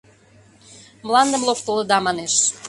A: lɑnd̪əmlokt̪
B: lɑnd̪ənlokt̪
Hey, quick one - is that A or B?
A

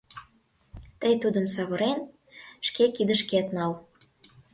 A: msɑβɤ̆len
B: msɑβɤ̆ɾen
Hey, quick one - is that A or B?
B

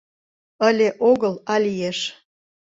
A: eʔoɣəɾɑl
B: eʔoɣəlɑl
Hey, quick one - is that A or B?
B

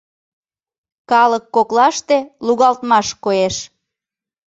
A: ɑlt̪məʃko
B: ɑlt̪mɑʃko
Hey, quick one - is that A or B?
B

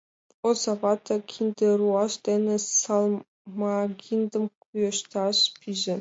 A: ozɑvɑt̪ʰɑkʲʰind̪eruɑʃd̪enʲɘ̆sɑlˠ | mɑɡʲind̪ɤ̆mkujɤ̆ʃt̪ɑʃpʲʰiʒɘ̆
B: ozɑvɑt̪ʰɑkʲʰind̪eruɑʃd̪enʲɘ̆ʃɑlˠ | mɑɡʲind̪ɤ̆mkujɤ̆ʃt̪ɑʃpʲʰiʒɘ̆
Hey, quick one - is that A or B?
A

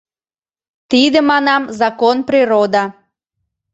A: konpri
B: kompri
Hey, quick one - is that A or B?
A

